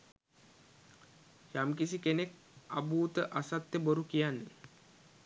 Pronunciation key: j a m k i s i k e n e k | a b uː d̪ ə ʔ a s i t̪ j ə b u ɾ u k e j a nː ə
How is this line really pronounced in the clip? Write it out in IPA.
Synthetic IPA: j a m k i s i k e n e k | a b uː t̪ ə ʔ a s a t̪ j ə b o ɾ u k i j a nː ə